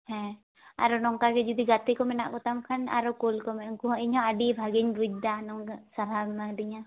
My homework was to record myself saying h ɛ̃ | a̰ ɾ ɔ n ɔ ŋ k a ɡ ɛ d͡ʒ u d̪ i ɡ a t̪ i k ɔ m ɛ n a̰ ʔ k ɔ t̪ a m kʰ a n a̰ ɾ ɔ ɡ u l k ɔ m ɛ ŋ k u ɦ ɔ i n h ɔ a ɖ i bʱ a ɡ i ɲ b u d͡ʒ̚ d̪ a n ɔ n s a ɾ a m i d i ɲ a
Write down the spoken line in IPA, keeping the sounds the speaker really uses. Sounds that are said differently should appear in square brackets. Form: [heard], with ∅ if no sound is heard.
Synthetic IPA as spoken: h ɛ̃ | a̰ ɾ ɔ n ɔ ŋ k a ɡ ɛ d͡ʒ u d̪ i ɡ a t̪ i k ɔ m ɛ n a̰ ʔ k ɔ t̪ a m kʰ a n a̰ ɾ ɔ [k] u l k ɔ m ɛ ŋ k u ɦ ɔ i [ɲ] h ɔ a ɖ i bʱ a ɡ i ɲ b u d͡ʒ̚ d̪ a n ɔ [ŋ] s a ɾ a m [a] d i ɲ a